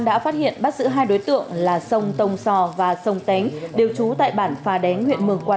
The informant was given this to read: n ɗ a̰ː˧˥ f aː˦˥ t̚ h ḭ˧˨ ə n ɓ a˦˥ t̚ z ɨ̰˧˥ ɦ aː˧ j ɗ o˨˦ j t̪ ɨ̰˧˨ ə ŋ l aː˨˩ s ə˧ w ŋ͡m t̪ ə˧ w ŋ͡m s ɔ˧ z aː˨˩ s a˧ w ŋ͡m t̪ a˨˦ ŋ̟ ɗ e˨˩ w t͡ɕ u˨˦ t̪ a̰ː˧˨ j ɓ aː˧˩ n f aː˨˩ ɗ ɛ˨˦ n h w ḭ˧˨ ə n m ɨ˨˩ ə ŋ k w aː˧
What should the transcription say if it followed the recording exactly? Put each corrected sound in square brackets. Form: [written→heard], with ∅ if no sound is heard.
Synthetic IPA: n ɗ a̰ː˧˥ f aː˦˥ t̚ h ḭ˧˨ ə n ɓ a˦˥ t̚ z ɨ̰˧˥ ɦ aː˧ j ɗ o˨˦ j t̪ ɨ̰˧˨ ə ŋ l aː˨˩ s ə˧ w ŋ͡m t̪ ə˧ w ŋ͡m s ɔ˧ [z→v] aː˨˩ s [a˧→ə˧] w ŋ͡m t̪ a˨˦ ŋ̟ ɗ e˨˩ w t͡ɕ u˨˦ t̪ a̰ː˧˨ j ɓ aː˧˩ n f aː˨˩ ɗ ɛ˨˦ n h w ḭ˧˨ ə n m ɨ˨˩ ə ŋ k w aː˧

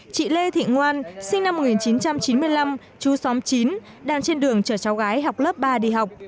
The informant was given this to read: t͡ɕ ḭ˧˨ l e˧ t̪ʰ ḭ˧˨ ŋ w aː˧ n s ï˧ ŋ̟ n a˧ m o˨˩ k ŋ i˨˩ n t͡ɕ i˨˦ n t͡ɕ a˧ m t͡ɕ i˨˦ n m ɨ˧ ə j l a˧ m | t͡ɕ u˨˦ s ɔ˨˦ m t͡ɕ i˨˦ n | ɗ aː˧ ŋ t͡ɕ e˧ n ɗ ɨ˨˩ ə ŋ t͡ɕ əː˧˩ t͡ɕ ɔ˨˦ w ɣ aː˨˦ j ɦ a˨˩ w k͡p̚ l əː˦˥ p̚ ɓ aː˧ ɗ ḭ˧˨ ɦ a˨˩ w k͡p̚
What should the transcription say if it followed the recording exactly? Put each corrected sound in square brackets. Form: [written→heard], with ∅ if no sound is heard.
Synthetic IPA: t͡ɕ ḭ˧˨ l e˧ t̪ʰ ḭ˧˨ ŋ w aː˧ n s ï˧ ŋ̟ n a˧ m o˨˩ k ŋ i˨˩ n t͡ɕ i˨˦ n t͡ɕ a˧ m t͡ɕ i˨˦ n m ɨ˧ ə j l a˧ m | t͡ɕ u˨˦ s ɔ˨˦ m t͡ɕ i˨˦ n | ɗ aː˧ ŋ t͡ɕ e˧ n ɗ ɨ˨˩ ə ŋ t͡ɕ əː˧˩ t͡ɕ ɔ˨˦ w ɣ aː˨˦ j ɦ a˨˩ w k͡p̚ l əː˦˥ p̚ ɓ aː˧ ɗ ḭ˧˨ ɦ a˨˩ w k͡p̚

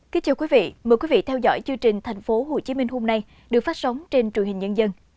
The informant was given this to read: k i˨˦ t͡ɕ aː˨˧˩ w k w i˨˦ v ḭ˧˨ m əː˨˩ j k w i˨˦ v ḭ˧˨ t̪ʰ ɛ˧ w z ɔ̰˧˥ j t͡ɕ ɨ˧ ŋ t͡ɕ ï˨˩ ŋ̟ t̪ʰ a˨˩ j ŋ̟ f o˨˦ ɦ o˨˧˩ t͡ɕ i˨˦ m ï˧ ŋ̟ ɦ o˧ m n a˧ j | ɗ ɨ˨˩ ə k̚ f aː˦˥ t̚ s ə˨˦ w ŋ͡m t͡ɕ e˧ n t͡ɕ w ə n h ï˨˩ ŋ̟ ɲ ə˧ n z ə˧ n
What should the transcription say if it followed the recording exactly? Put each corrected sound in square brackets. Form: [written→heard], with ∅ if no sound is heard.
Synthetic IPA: k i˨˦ t͡ɕ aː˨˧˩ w k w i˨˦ v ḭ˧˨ m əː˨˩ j k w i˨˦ v ḭ˧˨ t̪ʰ ɛ˧ w z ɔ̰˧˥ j t͡ɕ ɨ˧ ŋ t͡ɕ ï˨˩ ŋ̟ t̪ʰ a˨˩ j ŋ̟ f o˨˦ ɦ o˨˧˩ t͡ɕ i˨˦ m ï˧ ŋ̟ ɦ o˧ m n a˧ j | ɗ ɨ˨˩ ə k̚ f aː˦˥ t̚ s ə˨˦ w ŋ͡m t͡ɕ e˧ n t͡ɕ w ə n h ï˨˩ ŋ̟ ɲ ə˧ n z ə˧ n

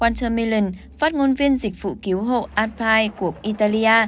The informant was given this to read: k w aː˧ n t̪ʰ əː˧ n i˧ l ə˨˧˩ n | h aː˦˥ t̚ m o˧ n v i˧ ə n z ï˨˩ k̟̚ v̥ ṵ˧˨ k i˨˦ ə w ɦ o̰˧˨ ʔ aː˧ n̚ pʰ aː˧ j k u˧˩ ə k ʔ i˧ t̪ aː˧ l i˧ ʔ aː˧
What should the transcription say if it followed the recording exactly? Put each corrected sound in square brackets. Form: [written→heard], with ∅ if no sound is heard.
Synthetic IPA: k w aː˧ n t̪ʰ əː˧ [n→m] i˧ l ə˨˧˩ n | [h→f] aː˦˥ t̚ [m→ŋ] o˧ n v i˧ ə n z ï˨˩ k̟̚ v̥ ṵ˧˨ k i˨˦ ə w ɦ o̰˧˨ ʔ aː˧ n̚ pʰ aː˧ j k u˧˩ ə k ʔ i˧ t̪ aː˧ l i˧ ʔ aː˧

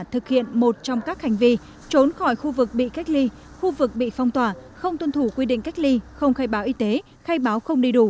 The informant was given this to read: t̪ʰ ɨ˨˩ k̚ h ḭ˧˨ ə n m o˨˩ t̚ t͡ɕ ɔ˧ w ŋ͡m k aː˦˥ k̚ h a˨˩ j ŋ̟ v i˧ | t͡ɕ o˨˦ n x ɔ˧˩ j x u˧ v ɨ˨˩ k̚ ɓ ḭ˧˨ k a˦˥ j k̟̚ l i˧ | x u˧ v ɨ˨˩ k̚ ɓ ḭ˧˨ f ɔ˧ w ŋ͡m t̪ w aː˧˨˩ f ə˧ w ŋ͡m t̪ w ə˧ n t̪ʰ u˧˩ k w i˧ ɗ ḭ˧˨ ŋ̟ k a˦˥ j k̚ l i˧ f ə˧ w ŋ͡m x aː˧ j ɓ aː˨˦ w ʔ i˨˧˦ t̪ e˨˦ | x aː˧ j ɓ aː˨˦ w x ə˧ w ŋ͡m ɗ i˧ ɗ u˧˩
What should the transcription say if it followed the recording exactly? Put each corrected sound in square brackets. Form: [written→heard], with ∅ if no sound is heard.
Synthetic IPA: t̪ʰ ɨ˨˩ k̚ h ḭ˧˨ ə n m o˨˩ t̚ t͡ɕ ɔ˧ w ŋ͡m k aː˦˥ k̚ h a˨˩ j ŋ̟ v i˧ | t͡ɕ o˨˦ n x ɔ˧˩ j x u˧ v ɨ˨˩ k̚ ɓ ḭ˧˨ k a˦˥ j k̟̚ l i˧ | x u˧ v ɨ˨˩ k̚ ɓ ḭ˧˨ f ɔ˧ w ŋ͡m t̪ w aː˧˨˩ [f→x] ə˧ w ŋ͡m t̪ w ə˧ n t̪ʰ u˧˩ k w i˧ ɗ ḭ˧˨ ŋ̟ k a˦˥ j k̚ l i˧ [f→x] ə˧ w ŋ͡m x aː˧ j ɓ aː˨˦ w ʔ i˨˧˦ t̪ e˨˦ | x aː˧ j ɓ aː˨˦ w x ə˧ w ŋ͡m ɗ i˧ ɗ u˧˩

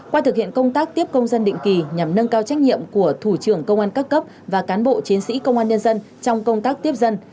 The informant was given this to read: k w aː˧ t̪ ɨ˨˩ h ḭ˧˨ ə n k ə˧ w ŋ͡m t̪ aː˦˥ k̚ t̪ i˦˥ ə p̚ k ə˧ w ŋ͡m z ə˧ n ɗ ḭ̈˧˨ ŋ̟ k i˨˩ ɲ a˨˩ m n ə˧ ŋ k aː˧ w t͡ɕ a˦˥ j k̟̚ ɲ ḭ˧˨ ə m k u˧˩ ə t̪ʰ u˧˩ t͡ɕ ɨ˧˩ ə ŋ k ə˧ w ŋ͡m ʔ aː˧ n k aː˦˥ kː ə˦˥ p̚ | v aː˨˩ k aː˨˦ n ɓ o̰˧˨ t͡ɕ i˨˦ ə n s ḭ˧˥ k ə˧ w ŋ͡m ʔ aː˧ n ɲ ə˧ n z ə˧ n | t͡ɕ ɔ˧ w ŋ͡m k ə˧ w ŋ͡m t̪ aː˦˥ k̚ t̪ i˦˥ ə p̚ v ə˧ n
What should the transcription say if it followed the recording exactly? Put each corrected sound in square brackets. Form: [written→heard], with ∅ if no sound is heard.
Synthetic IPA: k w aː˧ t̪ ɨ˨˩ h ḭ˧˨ ə n k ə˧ w ŋ͡m t̪ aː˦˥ k̚ t̪ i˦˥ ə p̚ k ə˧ w ŋ͡m z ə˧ n ɗ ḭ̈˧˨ ŋ̟ k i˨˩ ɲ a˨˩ m n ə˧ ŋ k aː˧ w t͡ɕ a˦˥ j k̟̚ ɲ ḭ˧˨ ə m k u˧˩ ə t̪ʰ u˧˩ t͡ɕ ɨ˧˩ ə ŋ k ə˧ w ŋ͡m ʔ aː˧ n k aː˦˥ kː ə˦˥ p̚ | v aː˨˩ k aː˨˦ n ɓ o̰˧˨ t͡ɕ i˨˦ ə n s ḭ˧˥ k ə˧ w ŋ͡m ʔ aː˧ n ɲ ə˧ n z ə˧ n | t͡ɕ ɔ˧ w ŋ͡m k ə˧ w ŋ͡m t̪ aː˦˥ k̚ t̪ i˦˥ ə p̚ [v→z] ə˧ n

